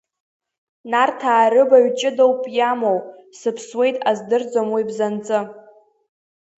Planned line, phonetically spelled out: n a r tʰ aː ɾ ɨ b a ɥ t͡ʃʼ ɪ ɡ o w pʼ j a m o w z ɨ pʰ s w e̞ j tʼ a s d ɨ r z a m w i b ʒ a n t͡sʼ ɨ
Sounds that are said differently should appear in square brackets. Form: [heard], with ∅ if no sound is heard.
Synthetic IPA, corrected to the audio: n a r tʰ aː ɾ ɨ b a ɥ t͡ʃʼ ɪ [d] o w pʼ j a m o w [s] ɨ pʰ s w e̞ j tʼ a [z] d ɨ r [d͡z] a m w i b [z] a n t͡sʼ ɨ

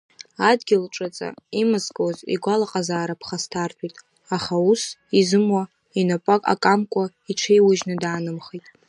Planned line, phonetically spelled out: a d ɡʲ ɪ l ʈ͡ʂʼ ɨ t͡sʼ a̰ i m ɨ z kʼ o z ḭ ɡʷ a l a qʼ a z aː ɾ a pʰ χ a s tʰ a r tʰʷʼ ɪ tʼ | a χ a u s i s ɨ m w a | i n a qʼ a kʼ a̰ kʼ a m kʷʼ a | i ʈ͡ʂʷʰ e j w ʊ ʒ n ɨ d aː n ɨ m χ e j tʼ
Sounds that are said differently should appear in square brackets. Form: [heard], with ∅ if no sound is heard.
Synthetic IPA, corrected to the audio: a d ɡʲ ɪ l ʈ͡ʂʼ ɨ t͡sʼ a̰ i m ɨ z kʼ o z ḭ ɡʷ a l a qʼ a z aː ɾ a pʰ χ a s tʰ a r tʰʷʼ [i] tʼ | a χ a u s i [z] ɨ m w a | i n a [pʼ] a kʼ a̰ kʼ a m kʷʼ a | i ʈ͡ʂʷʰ e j w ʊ ʒ n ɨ d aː n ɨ m χ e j tʼ

